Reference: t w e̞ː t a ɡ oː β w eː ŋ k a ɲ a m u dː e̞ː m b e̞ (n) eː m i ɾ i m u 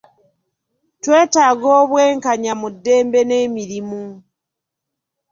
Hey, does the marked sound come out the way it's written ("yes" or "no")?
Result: yes